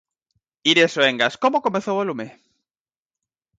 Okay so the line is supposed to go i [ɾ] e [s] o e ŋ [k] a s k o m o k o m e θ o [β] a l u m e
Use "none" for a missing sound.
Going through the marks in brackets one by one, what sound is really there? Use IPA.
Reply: ɾ, s, ɡ, w

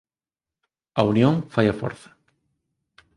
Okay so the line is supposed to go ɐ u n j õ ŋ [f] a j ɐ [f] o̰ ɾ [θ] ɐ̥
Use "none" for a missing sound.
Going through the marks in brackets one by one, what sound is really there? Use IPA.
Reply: f, f, θ

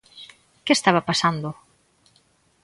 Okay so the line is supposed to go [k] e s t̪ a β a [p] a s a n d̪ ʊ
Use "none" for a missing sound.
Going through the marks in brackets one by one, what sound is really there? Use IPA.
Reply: k, p

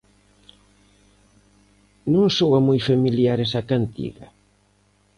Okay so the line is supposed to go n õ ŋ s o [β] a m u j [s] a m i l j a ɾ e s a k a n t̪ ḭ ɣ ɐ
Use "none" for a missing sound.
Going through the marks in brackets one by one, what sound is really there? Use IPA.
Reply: w, f

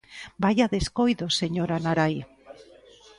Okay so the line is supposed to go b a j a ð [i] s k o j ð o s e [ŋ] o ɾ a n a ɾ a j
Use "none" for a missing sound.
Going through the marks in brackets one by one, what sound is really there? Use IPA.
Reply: e, ɲ

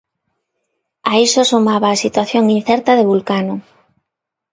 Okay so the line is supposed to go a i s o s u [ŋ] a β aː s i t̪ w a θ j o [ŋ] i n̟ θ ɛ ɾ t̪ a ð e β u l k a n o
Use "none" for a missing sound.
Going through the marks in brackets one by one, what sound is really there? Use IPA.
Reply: m, ŋ

